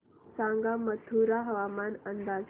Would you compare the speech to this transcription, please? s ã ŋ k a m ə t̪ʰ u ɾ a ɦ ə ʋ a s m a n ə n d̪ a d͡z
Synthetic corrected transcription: s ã ŋ ɡ a m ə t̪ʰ u ɾ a ɦ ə ʋ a m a n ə n d̪ a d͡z